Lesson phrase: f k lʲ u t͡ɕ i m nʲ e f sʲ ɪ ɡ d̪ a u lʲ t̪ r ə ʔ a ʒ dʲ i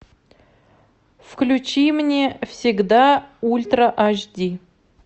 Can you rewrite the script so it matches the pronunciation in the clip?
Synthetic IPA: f k lʲ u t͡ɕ i m nʲ e f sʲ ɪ ɡ d̪ a u lʲ t̪ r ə ʔ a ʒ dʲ i